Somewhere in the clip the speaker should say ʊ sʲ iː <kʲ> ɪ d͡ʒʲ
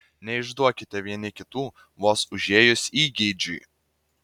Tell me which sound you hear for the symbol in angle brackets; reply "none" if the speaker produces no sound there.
ɡʲ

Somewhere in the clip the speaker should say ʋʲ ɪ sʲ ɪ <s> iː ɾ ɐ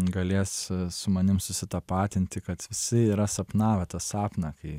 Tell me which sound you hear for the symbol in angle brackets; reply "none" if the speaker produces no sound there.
none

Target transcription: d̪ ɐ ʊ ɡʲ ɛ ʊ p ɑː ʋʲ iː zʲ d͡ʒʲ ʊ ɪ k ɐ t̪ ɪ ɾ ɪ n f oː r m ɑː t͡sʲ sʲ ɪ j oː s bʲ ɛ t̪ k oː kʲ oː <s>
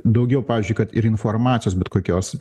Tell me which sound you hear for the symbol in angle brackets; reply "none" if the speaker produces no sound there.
s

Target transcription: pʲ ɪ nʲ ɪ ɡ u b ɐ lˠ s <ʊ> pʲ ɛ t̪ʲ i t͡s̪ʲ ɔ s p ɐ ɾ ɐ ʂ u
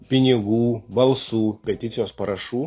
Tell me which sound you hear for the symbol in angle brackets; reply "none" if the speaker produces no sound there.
u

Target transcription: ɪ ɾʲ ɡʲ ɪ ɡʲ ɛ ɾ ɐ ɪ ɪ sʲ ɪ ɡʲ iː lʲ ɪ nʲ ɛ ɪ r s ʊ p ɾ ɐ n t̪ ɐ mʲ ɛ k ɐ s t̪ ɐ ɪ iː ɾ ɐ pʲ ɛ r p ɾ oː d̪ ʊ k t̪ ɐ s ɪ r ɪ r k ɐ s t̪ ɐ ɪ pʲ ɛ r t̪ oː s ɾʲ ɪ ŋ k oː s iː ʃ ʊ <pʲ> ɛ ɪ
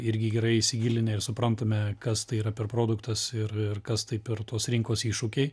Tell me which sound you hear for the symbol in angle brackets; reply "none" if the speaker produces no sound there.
kʲ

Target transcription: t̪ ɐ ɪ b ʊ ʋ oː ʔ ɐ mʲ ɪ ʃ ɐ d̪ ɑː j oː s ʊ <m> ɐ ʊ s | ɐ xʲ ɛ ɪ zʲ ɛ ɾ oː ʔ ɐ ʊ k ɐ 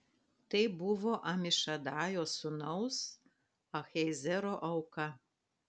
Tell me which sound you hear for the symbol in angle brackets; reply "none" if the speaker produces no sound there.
n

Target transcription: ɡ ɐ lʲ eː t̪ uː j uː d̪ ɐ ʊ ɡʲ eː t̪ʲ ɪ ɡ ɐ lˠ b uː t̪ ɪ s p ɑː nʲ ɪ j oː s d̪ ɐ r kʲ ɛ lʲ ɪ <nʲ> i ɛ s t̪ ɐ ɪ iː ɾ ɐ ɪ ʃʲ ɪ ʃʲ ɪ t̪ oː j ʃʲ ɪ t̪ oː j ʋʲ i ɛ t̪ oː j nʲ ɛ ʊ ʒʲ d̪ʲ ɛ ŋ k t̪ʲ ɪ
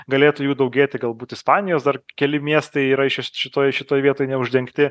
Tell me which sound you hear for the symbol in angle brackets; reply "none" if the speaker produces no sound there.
mʲ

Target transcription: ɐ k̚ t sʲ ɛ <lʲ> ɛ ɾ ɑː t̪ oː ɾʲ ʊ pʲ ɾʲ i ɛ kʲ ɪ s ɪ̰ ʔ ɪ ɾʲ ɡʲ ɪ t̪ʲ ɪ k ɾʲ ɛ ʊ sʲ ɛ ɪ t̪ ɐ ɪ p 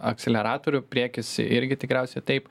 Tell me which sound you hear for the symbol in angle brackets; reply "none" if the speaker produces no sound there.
lʲ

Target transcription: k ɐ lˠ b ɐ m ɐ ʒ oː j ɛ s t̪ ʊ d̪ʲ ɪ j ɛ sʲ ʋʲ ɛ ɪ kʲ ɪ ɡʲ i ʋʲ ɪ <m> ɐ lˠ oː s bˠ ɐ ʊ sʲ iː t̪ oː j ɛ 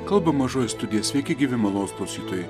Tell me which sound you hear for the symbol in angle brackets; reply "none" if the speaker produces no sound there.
m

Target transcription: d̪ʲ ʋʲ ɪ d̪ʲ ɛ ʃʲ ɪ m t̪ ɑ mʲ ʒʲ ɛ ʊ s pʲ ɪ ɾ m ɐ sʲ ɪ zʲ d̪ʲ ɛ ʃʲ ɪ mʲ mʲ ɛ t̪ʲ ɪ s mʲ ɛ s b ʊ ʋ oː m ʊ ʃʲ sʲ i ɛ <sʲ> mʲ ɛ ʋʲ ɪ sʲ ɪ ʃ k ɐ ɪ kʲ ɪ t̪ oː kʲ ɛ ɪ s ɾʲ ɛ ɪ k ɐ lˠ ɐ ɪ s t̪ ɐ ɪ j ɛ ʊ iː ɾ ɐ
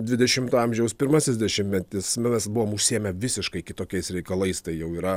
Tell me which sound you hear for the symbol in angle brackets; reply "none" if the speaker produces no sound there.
none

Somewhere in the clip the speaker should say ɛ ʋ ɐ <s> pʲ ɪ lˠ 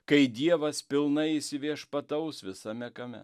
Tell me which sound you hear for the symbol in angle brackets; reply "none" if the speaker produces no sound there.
s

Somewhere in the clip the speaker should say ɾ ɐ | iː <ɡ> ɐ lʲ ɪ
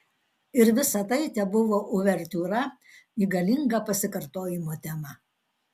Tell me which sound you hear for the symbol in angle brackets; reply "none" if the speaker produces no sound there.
ɡ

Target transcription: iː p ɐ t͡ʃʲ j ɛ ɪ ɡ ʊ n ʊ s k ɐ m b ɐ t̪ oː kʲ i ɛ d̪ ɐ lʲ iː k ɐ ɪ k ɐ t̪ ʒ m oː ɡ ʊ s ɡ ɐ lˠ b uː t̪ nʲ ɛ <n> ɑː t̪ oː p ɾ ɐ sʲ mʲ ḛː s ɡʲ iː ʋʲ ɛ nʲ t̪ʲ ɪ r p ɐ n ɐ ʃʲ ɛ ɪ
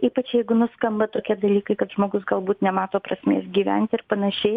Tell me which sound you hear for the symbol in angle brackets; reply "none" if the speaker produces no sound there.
m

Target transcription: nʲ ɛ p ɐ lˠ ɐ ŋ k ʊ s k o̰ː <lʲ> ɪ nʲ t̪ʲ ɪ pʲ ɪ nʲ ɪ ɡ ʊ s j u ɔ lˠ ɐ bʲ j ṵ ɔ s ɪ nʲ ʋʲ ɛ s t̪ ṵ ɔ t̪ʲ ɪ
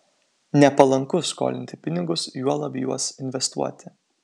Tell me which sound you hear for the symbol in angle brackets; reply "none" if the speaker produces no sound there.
lʲ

